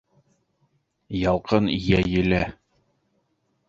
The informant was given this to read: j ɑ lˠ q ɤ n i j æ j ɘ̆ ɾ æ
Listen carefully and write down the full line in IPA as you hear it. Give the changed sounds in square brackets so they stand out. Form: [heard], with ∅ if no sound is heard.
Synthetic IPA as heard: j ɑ lˠ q ɤ n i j æ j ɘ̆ [l] æ